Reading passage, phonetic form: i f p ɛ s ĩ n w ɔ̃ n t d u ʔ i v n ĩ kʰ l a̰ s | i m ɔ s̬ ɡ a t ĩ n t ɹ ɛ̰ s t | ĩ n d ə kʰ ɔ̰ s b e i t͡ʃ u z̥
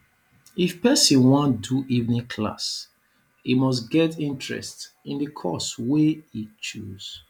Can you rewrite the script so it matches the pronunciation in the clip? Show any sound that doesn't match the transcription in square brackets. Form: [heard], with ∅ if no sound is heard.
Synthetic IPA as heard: i f p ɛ s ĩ n w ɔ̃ n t d u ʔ i v n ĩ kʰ l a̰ s | i m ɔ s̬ ɡ [ɛ] t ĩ n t ɹ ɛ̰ s t | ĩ n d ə kʰ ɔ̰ s [w] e i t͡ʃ u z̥